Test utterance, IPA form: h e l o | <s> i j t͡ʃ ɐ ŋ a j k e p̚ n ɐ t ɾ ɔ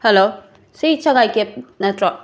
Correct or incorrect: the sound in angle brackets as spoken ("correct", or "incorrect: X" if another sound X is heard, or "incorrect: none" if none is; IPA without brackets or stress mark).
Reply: correct